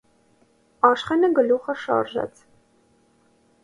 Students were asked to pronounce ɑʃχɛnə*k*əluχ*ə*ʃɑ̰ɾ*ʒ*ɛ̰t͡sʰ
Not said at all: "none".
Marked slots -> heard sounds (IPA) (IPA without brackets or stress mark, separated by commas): ɡ, ə, ʒ